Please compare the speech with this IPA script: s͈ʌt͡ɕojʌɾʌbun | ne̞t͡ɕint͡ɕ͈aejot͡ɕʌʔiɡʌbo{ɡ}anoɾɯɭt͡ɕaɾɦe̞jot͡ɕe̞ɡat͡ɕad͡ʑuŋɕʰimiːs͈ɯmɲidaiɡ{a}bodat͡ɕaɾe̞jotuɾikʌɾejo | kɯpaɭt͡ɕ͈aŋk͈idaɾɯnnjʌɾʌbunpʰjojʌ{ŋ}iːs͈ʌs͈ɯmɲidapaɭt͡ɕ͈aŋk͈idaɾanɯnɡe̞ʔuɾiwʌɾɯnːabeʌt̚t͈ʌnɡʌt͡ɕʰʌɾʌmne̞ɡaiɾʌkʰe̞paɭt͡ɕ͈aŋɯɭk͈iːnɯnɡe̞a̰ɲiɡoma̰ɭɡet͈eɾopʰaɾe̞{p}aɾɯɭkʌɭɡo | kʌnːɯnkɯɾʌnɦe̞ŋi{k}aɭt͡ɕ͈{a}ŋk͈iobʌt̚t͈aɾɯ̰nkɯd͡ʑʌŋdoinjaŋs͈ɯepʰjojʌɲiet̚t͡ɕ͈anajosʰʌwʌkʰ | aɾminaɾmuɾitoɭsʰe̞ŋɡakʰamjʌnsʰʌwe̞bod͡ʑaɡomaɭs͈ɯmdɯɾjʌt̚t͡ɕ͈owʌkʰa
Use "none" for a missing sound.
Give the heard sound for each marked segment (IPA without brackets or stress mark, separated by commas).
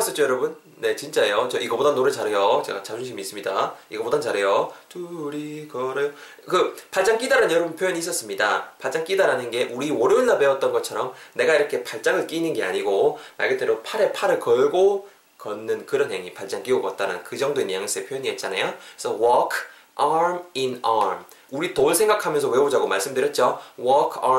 d, ʌ, ɲ, pʰ, p, a